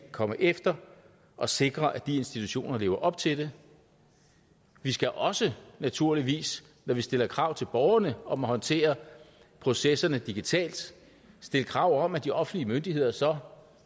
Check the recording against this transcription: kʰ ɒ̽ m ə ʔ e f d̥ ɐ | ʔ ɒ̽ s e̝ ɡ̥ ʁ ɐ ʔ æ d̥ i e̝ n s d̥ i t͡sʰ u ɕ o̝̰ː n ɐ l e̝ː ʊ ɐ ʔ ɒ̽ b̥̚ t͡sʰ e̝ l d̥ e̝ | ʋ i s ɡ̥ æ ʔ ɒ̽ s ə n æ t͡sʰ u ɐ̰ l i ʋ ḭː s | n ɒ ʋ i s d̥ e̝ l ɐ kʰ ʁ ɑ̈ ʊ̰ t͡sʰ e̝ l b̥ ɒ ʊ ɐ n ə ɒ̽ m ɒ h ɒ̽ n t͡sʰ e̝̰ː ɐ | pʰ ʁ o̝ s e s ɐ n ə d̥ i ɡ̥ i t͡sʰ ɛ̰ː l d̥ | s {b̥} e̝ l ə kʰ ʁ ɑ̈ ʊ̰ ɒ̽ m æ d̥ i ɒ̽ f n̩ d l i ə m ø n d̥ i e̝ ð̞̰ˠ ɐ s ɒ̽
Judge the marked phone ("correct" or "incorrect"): incorrect